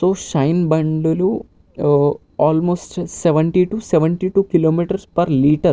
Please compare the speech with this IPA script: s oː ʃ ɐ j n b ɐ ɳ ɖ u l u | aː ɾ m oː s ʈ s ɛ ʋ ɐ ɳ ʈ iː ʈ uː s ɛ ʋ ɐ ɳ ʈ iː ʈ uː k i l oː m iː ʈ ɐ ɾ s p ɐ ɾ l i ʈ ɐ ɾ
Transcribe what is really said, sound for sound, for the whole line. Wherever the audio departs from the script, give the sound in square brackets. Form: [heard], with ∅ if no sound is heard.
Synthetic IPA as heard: s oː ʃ ɐ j n b ɐ ɳ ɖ u l u | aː [l] m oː s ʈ s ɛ ʋ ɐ ɳ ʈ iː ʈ uː s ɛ ʋ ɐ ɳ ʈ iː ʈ uː k i l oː m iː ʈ ɐ ɾ s p ɐ ɾ l [iː] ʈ ɐ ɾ